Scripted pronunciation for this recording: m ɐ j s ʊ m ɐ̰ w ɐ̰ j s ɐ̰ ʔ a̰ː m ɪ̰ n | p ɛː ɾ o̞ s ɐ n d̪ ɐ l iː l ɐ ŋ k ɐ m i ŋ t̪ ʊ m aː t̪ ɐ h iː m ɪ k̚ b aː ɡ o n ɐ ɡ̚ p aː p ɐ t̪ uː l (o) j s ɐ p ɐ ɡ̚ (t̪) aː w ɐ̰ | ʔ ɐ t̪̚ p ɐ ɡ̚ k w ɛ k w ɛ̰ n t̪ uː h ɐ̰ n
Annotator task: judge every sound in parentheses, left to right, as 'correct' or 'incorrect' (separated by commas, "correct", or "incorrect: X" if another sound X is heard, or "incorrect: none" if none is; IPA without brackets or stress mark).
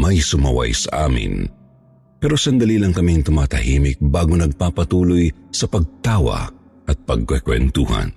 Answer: correct, correct